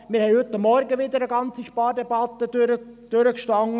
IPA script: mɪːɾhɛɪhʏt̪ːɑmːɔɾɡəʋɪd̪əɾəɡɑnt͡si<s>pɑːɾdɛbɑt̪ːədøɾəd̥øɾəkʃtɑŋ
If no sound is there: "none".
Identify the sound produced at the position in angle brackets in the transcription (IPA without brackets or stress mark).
ʃ